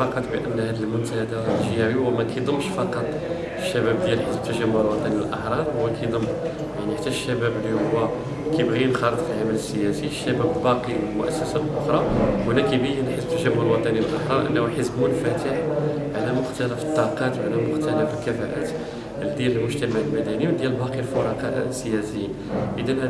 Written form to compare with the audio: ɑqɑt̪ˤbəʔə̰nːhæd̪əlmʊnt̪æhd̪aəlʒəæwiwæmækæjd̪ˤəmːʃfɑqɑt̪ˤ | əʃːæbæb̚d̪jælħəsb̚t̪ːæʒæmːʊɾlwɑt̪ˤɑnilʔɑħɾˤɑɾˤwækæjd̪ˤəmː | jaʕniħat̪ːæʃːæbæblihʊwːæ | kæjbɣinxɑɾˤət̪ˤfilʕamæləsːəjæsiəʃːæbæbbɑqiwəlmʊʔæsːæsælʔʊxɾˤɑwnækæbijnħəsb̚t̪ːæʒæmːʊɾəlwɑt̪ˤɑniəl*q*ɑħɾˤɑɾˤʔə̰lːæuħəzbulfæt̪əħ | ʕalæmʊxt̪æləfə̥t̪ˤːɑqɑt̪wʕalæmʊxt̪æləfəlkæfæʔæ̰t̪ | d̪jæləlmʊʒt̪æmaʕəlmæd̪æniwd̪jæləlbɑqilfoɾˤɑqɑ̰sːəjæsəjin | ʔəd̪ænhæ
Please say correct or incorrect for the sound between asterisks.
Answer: incorrect